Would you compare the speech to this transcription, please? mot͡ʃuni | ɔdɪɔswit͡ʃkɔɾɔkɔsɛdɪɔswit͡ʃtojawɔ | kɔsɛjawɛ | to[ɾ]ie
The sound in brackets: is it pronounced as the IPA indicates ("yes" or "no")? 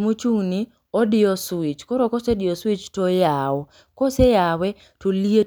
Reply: no